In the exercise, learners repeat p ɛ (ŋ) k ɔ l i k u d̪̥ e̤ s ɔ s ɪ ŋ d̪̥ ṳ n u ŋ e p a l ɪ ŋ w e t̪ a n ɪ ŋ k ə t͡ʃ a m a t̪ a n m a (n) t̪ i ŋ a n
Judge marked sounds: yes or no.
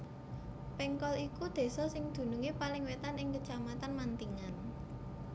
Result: yes, yes

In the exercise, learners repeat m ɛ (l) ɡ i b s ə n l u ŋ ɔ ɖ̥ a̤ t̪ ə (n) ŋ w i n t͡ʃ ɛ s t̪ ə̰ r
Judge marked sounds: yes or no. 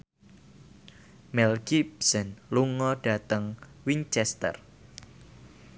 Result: yes, no

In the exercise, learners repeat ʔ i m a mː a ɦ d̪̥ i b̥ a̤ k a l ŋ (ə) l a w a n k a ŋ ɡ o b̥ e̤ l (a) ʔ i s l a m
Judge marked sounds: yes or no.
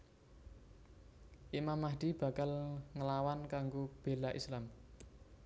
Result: yes, yes

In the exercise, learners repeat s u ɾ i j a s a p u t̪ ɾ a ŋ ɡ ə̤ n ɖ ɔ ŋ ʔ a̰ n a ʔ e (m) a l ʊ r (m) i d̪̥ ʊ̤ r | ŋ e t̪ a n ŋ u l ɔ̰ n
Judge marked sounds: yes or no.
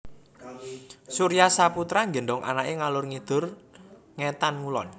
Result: no, no

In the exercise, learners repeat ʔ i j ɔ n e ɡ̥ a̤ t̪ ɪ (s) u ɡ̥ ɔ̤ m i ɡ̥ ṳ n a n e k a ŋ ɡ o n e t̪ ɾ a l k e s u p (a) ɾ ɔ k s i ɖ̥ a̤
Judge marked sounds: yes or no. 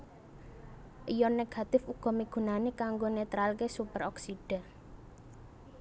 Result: no, no

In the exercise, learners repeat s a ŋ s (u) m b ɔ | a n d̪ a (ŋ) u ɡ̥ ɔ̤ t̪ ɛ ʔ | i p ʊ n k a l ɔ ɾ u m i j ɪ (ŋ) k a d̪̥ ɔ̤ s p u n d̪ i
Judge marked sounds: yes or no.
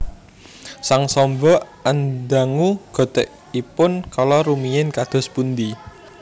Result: no, yes, no

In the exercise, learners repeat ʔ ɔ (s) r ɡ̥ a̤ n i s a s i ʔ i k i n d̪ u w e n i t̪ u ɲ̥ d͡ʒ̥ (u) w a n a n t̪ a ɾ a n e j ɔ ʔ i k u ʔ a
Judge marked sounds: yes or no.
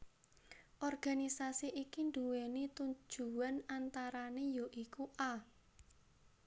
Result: no, yes

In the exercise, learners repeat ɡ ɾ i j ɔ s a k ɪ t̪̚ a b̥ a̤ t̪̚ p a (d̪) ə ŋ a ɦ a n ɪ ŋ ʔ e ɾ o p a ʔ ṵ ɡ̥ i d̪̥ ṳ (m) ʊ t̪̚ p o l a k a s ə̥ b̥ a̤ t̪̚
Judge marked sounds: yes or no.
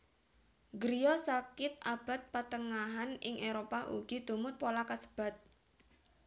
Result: no, yes

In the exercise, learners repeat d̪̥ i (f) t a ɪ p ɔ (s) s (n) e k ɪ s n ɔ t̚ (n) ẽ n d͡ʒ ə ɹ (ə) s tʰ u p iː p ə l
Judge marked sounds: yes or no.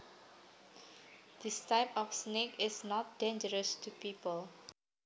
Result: no, no, yes, no, yes

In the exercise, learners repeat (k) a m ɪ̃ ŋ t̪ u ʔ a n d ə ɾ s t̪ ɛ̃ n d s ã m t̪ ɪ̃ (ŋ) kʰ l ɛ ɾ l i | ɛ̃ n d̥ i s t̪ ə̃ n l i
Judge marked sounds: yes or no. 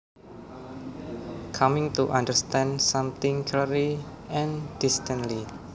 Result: no, yes

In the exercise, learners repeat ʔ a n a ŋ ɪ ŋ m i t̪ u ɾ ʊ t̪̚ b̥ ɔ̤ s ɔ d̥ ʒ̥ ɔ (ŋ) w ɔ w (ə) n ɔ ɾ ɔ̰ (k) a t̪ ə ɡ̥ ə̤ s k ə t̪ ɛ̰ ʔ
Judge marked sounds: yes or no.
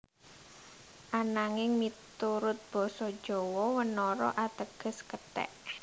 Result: no, yes, no

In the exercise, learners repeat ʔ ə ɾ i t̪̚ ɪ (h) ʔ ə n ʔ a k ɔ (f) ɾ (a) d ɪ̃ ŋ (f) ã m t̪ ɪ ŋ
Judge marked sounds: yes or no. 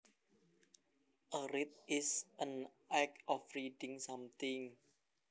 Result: no, yes, no, no

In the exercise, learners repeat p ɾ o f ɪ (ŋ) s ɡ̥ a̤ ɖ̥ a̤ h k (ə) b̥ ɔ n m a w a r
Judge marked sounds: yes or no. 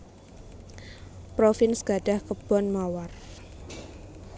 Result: no, yes

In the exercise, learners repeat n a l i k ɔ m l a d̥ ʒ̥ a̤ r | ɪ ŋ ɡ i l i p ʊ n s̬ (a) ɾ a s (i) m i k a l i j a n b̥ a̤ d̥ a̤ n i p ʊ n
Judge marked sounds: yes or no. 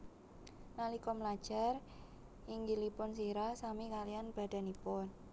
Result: no, no

